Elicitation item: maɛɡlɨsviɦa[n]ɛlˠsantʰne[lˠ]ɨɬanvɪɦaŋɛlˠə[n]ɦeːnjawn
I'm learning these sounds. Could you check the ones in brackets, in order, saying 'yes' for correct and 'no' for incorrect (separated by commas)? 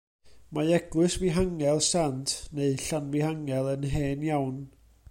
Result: no, no, yes